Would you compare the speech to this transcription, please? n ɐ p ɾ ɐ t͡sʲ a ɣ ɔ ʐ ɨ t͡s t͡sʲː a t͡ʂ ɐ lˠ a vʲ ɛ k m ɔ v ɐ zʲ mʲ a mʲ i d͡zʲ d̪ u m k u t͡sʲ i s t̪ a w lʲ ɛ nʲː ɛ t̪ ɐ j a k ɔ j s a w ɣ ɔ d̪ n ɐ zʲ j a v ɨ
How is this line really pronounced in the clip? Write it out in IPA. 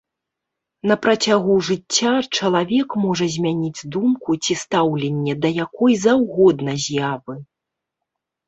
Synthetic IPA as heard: n ɐ p ɾ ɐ t͡sʲ a ɣ u ʐ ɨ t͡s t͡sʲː a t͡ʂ ɐ lˠ a vʲ ɛ k m ɔ ʐ ɐ zʲ mʲ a nʲ i d͡zʲ d̪ u m k u t͡sʲ i s t̪ a w lʲ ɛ nʲː ɛ d̪ ɐ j a k ɔ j z a w ɣ ɔ d̪ n ɐ zʲ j a v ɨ